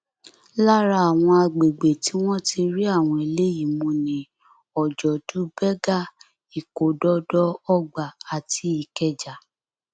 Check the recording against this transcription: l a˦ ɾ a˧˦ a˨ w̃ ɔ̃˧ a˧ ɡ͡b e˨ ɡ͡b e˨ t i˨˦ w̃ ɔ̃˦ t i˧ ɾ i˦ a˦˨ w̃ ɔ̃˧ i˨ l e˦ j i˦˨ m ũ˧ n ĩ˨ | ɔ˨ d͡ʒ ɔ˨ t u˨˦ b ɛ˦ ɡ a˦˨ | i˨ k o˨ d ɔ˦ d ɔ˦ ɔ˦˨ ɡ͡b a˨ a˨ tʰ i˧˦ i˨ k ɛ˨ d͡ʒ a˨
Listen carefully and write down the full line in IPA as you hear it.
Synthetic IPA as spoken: l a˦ ɾ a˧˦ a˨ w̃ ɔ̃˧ a˧ ɡ͡b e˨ ɡ͡b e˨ t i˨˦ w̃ ɔ̃˦ t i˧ ɾ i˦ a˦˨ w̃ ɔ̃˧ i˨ l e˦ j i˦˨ m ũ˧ n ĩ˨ | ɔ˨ d͡ʒ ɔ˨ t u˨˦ b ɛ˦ ɡ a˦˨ | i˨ k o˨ d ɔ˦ d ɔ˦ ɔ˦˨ ɡ͡b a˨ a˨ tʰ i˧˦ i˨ k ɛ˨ d͡ʒ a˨